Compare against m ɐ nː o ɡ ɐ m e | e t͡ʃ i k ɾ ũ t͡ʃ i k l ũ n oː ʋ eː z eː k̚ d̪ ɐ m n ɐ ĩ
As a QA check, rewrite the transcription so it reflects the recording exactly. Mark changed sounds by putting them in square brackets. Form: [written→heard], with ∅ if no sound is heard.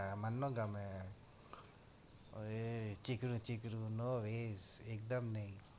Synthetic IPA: m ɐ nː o ɡ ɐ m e | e t͡ʃ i k ɾ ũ t͡ʃ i k [l→ɾ] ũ n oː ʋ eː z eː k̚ d̪ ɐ m n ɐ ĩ

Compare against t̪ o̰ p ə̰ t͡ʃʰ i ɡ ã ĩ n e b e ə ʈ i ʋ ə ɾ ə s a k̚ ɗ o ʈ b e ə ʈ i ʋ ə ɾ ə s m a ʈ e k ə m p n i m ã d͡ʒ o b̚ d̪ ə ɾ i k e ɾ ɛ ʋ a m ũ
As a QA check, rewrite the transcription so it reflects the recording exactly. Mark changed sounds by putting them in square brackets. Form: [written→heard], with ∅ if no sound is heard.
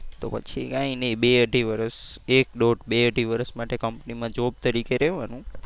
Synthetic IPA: t̪ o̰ p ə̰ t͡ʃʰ i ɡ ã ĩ n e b e ə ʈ i ʋ ə ɾ ə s [a→e] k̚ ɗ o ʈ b e ə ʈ i ʋ ə ɾ ə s m a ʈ e k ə m p n i m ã d͡ʒ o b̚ [d̪→t̪] ə ɾ i k e ɾ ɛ ʋ a [m→n] ũ

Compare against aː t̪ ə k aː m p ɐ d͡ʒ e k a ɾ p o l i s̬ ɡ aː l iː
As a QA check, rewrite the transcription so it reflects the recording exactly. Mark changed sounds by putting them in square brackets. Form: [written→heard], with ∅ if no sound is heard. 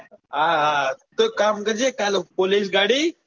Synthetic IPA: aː t̪ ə k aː m [p→k] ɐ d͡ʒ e k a [ɾ→l] p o l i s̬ ɡ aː [l→ɽ] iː

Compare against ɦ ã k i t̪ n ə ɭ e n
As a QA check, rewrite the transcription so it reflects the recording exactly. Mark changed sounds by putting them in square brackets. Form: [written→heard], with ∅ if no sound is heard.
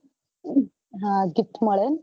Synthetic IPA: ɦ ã [k→ɡ] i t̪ [n→m] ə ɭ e n

